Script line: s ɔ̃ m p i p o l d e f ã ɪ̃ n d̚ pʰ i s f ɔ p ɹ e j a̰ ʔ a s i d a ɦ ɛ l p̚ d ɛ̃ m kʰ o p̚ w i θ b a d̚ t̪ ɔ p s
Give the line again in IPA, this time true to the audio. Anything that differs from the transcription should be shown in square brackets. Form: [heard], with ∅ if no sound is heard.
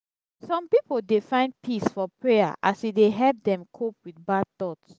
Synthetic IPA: s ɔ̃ m p i p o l d e f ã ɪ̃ n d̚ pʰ i s f ɔ p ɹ e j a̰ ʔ a s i d [e] ɦ ɛ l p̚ d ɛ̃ m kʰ o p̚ w i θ b a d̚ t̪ ɔ [t] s